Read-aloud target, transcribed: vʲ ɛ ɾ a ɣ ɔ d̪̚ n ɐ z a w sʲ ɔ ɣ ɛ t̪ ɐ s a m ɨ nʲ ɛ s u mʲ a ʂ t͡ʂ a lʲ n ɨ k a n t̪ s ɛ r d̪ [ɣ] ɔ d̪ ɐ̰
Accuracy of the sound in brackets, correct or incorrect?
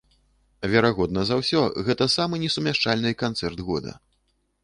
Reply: correct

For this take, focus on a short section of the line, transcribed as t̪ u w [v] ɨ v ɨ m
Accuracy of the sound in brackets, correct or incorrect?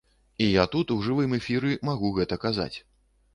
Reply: incorrect: ʐ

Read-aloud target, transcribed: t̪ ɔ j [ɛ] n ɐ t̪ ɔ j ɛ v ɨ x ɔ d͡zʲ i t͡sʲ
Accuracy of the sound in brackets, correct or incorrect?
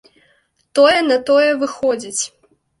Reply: correct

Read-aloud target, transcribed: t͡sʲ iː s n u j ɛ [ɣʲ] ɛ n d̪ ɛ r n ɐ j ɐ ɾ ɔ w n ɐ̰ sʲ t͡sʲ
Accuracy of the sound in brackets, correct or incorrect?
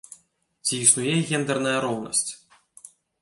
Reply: correct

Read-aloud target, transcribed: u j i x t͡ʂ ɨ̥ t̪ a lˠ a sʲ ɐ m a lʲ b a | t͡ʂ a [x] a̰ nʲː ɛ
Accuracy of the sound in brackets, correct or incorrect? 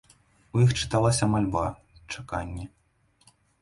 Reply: incorrect: k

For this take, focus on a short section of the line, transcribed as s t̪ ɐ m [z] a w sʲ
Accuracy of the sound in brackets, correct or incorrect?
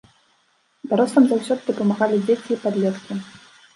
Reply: correct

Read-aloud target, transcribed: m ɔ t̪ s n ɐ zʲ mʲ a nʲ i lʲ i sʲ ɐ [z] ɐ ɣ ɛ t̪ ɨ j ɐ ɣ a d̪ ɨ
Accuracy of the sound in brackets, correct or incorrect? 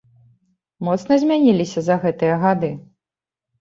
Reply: correct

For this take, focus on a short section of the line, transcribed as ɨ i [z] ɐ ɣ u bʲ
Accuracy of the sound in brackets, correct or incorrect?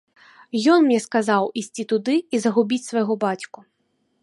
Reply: correct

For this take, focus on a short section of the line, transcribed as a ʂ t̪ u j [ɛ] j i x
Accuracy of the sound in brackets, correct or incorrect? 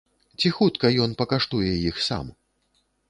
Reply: correct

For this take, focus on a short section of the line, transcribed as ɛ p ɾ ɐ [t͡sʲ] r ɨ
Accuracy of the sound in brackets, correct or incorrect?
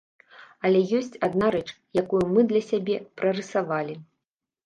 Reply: incorrect: none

